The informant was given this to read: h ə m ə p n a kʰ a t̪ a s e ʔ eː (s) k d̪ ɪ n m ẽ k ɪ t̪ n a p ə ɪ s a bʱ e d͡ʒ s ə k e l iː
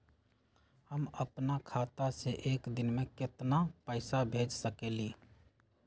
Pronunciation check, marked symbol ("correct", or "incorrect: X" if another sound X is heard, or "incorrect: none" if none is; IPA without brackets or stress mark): incorrect: none